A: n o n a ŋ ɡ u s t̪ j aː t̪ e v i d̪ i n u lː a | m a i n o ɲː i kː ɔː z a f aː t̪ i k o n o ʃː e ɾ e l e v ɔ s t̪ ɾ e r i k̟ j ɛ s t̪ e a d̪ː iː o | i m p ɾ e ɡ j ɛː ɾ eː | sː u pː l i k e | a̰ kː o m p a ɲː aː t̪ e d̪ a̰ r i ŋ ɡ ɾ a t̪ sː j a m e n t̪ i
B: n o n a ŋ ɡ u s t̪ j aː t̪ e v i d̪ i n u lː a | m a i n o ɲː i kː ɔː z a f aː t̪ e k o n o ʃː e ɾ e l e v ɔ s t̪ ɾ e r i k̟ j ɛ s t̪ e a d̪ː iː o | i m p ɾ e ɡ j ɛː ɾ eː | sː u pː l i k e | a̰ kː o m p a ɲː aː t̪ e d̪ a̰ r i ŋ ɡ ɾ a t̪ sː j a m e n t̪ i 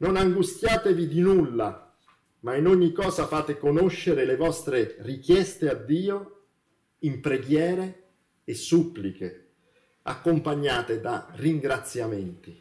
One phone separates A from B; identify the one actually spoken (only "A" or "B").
B